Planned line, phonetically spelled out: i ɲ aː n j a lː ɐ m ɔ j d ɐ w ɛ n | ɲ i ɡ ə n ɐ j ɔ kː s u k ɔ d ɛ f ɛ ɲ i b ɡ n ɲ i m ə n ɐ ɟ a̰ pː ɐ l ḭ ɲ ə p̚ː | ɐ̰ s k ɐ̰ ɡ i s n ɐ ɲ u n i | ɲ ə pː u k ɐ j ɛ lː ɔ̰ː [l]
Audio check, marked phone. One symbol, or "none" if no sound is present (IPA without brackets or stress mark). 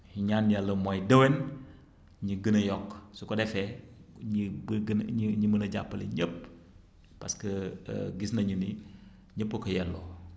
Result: none